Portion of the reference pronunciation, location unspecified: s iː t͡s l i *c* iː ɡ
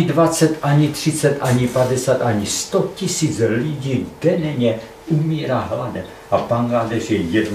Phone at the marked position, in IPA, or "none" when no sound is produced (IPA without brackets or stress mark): ɟ